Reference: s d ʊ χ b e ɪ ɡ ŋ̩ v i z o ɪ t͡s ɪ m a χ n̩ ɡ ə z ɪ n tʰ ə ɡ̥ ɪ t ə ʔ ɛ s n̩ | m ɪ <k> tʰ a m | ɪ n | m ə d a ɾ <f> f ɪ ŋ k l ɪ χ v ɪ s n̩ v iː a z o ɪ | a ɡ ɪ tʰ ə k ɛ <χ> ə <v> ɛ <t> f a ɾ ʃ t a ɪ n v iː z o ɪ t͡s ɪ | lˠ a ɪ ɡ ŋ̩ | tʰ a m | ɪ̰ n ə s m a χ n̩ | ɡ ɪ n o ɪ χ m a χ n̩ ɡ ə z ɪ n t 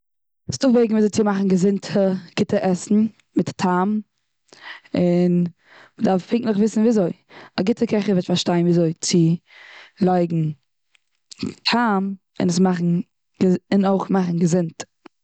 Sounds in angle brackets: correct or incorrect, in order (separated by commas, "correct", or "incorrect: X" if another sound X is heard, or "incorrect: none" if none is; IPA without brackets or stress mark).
incorrect: t, correct, correct, correct, correct